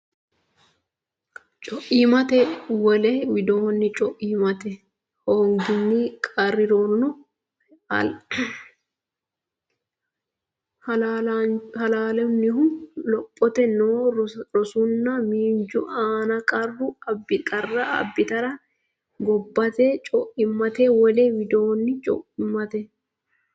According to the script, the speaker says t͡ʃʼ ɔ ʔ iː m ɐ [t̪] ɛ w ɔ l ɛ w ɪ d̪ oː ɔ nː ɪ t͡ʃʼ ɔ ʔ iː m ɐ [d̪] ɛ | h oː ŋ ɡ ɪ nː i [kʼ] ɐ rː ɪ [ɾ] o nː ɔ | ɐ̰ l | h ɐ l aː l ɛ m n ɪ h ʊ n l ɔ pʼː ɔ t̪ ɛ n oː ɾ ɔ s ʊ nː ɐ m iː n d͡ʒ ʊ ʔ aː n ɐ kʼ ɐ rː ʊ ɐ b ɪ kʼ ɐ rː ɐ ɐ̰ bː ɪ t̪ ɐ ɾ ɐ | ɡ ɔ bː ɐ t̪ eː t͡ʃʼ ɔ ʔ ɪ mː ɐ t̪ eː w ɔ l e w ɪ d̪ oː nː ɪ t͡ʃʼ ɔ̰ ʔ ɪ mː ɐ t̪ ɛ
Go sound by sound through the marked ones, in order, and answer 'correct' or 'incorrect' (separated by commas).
correct, incorrect, correct, correct